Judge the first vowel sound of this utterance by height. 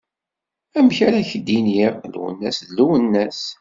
low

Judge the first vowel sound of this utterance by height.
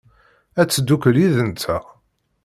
low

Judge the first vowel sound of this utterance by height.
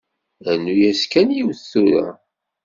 low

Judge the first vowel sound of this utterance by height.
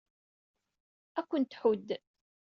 low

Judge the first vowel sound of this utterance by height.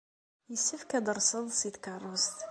mid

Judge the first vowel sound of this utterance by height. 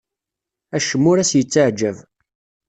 low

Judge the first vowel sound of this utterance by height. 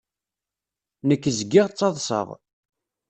mid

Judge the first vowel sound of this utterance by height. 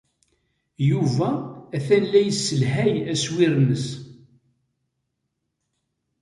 high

